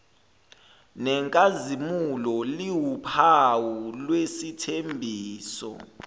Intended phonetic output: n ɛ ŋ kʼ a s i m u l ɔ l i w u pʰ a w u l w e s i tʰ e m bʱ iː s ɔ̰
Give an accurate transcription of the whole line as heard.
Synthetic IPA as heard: n ɛ ŋ kʼ a z i m u l ɔ l i w u pʰ a w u l w e s i tʰ e m bʱ iː s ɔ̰